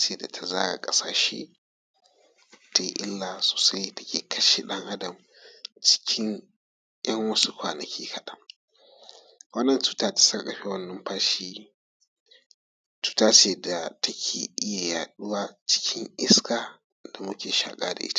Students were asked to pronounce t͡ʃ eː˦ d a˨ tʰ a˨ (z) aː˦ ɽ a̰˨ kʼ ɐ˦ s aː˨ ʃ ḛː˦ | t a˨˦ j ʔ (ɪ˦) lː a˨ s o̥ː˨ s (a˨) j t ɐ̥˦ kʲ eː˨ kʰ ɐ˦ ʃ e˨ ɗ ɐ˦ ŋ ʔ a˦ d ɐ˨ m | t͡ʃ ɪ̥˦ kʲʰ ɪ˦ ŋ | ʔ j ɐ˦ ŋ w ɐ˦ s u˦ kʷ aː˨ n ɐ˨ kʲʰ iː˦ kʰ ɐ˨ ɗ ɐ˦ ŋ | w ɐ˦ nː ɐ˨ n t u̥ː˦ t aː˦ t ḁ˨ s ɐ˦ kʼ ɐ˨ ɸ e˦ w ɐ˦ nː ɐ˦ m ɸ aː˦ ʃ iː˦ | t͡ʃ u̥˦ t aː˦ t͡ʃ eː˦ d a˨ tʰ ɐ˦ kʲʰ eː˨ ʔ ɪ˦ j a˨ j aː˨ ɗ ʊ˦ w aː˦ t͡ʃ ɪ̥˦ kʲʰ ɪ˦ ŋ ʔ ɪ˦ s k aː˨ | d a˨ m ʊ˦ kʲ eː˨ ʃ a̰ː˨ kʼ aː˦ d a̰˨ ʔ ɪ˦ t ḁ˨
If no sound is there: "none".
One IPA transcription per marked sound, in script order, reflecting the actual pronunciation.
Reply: z, ɪ˦, a˦

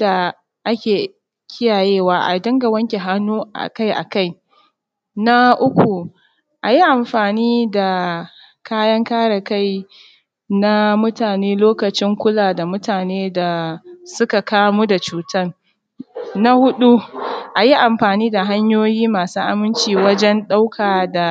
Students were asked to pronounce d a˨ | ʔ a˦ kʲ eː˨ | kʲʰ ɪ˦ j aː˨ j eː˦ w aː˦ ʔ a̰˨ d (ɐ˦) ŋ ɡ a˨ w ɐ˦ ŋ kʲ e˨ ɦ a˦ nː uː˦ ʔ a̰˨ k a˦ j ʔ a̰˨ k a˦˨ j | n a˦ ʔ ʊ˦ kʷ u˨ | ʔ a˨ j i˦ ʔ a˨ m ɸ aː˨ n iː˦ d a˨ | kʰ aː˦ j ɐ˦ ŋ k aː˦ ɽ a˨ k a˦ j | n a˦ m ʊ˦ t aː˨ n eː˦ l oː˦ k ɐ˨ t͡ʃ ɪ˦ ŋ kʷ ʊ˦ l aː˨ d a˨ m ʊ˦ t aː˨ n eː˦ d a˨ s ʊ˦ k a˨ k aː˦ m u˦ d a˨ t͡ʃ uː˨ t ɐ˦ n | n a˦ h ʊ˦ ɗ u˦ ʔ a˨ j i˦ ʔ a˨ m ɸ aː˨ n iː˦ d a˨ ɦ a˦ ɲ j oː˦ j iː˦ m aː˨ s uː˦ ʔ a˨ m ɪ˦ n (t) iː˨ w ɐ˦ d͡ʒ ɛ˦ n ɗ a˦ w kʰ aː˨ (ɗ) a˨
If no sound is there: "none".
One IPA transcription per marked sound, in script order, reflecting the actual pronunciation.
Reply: ɐ˦, t͡ʃ, d

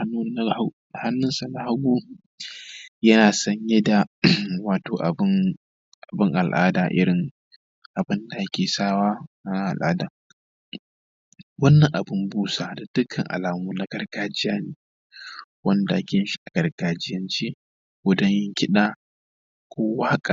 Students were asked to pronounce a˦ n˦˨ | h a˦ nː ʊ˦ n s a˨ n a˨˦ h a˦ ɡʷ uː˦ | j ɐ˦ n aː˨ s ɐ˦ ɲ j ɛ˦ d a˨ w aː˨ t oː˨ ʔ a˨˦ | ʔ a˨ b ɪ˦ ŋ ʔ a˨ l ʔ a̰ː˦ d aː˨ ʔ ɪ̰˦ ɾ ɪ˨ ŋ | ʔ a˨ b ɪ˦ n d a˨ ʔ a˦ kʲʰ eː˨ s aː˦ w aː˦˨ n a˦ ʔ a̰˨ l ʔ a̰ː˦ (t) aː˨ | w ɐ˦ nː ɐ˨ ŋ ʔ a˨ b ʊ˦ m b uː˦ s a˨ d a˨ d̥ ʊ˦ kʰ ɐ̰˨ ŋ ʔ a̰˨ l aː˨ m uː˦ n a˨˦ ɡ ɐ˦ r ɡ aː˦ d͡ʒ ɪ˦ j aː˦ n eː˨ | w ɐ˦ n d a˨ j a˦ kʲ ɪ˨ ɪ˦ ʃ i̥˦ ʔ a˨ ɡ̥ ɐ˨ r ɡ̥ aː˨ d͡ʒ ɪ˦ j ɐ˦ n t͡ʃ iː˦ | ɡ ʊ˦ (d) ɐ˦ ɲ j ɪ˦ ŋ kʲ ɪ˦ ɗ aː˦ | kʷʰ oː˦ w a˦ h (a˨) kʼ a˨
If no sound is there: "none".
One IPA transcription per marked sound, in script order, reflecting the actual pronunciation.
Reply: d, d, a˦

